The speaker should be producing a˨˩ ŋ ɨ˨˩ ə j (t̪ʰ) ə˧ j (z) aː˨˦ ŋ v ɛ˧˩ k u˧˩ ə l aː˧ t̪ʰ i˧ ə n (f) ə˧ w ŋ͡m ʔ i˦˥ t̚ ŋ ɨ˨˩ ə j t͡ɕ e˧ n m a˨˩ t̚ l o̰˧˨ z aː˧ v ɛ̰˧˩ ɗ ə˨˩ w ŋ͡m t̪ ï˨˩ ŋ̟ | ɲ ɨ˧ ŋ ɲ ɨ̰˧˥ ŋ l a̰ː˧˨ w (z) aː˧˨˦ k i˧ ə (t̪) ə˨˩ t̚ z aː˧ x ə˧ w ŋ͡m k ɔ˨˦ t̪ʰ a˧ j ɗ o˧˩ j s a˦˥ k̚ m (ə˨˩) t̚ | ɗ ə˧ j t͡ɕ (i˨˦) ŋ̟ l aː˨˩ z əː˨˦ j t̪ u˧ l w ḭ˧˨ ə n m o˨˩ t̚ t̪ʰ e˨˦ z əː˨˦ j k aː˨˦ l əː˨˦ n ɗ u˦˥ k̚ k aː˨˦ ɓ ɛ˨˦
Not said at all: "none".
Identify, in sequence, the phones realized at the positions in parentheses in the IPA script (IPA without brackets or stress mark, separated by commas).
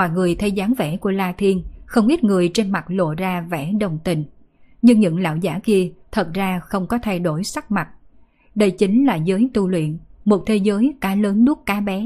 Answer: t̪ʰ, z, x, z, t̪ʰ, a˨˩, i˨˦